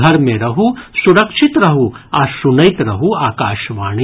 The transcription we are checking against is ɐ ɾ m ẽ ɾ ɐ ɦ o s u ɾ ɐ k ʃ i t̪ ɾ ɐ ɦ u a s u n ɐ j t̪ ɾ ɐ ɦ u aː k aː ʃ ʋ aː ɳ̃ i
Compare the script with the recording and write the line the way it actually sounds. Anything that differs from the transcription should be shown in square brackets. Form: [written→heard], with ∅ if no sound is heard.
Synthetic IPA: ɐ ɾ m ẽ ɾ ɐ ɦ [o→u] s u ɾ ɐ k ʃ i t̪ ɾ ɐ ɦ u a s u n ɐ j t̪ ɾ ɐ ɦ u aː k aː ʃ ʋ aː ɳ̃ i